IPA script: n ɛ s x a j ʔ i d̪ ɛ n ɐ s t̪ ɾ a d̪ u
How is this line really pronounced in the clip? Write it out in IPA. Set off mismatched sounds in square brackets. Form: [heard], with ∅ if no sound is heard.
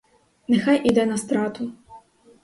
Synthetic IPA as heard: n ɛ [∅] x a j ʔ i d̪ ɛ n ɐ s t̪ ɾ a [t̪] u